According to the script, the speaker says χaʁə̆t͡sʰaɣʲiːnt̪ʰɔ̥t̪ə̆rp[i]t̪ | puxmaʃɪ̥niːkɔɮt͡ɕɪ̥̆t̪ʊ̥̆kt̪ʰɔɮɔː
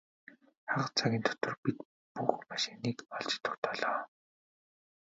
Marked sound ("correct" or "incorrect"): correct